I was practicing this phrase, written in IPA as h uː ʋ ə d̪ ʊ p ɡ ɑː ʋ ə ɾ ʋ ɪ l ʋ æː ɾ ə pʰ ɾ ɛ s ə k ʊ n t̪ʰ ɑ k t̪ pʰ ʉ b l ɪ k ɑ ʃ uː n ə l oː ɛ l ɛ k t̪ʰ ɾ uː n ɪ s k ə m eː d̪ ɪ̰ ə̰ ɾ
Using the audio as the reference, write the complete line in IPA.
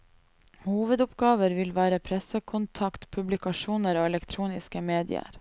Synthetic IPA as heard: h uː ʋ ə d̪ ʊ p ɡ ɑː ʋ ə ɾ ʋ ɪ l ʋ æː ɾ ə pʰ ɾ ɛ s ə kʰ ʊ n t̪ʰ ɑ k t̪ pʰ ʉ b l ɪ k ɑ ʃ uː n ə ɾ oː ɛ l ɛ k t̪ʰ ɾ uː n ɪ s k ə m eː d̪ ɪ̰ ə̰ ɾ

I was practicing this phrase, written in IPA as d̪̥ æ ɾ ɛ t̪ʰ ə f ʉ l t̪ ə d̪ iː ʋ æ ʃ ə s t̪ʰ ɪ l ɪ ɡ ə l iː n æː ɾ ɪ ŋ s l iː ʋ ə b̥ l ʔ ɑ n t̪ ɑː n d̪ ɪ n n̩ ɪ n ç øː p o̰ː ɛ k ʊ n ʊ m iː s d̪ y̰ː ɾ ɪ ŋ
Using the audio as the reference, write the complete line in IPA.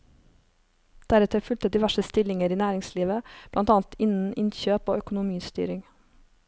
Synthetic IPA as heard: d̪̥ æ ɾ ɛ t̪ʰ ə f ʉ l t̪ ə d̪ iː ʋ æ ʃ ə s t̪ ɪ l ɪ ŋ ə ɾ iː n æː ɾ ɪ ŋ s l iː ʋ ə b̥ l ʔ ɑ n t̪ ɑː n t̪ ɪ n n̩ ɪ n ç øː p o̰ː œ k ʊ n ʊ m iː s t̪ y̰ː ɾ ɪ ŋ

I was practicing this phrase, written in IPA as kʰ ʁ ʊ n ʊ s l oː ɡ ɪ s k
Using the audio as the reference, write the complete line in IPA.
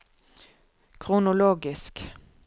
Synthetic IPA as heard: kʰ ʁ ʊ n ʊ l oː ɡ ɪ s k

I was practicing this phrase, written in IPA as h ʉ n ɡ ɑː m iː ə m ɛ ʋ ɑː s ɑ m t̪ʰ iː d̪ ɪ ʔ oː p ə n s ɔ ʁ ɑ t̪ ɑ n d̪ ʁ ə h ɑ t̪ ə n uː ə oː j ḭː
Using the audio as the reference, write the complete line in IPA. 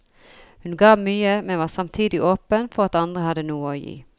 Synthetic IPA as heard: h ʉ n ɡ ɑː m yː ə m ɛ ʋ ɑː s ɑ m t̪ʰ iː d̪ ɪ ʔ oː p ə n f ɔ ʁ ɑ t̪ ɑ n d̪ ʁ ə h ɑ d̪ ə n uː ə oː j ḭː

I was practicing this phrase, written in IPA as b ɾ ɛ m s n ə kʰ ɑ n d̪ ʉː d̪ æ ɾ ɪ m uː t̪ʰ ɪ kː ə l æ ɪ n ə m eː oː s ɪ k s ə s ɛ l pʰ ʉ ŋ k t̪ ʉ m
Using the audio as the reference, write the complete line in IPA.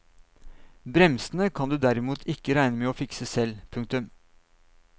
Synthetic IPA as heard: b ɾ ɛ m s n ə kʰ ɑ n d̪ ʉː d̪ æ ɾ ɪ m uː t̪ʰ ɪ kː ə ɾ æ ɪ n ə m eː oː f ɪ k s ə s ɛ l pʰ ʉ ŋ k t̪ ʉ m

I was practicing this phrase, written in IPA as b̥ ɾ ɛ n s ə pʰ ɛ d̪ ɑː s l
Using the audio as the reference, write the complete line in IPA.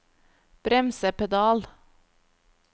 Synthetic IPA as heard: b̥ ɾ ɛ m s ə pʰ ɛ d̪ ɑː l

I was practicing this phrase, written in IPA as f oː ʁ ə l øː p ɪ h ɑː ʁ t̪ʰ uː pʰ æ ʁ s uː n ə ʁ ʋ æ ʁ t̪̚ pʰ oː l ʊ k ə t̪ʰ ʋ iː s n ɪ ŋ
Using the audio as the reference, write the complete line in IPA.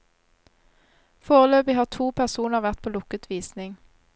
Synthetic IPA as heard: f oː ʁ ə l øː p ɪ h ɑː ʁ t̪ʰ uː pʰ æ ʁ s uː n ə ʁ ʋ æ ʁ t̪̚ pʰ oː l ʊ k ə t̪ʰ ʋ iː s n ɪ ŋ

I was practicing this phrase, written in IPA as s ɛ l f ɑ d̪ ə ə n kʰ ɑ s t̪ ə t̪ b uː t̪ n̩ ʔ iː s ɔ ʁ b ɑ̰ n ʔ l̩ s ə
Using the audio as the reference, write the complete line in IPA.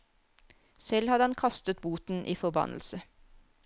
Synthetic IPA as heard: s ɛ l h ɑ d̪ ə ɑ n kʰ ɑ s t̪ ə t̪ b uː t̪ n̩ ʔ iː f ɔ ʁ b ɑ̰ n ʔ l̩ s ə

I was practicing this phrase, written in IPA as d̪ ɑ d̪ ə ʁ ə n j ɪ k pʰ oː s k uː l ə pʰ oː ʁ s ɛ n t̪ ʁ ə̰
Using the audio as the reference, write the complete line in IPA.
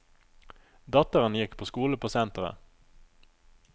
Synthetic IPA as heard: d̪ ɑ t̪ ə ʁ ə n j ɪ k pʰ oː s k uː l ə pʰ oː s ɛ n t̪ ʁ ə̰

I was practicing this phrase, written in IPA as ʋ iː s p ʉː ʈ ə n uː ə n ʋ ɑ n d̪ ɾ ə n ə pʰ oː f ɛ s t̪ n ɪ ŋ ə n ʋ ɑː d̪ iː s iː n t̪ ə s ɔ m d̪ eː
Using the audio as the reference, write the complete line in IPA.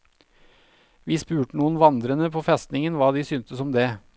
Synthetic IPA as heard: ʋ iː s p ʉː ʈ ə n uː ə n ʋ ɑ n d̪ ɾ ə n ə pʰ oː f ɛ s t̪ n ɪ ŋ ə n ʋ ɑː d̪ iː s yː n t̪ ə s ɔ m d̪ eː

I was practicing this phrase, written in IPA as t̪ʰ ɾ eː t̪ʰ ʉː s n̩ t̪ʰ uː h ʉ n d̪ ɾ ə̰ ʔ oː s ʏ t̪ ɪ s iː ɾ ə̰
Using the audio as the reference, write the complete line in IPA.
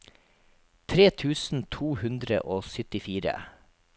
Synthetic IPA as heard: t̪ʰ ɾ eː t̪ʰ ʉː s n̩ t̪ʰ uː h ʉ n d̪ ɾ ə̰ ʔ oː s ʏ t̪ ɪ f iː ɾ ə̰

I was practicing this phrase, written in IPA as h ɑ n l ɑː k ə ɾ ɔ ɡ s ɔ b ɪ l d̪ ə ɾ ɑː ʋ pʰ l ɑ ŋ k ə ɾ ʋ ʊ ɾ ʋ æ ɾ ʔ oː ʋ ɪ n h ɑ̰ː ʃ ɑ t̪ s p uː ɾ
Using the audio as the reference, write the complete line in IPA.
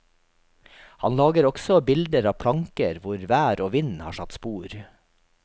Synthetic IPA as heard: h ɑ n l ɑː ɡ ə ɾ ɔ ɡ s ɔ b ɪ l d̪ ə ɾ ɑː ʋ pʰ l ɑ ŋ k ə ɾ ʋ ʊ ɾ ʋ æː ɾ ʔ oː ʋ ɪ n h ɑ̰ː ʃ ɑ t̪ s p uː ɾ

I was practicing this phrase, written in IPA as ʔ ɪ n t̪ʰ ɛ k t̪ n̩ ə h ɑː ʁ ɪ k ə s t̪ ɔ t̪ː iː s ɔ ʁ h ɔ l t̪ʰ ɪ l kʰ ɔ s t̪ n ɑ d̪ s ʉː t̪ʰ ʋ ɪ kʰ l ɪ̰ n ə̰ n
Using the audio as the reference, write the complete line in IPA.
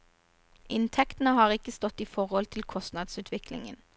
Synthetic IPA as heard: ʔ ɪ n t̪ʰ ɛ k t̪ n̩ ə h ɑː ʁ ɪ k ə s t̪ ɔ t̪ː iː f ɔ ʁ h ɔ l t̪ʰ ɪ l kʰ ɔ s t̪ n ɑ d̪ s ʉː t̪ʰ ʋ ɪ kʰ l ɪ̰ ŋ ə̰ n

